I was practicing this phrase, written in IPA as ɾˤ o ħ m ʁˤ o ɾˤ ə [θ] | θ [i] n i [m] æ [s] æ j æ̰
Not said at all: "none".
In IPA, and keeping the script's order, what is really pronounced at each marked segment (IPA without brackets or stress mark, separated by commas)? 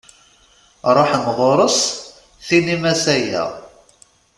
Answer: s, i, m, s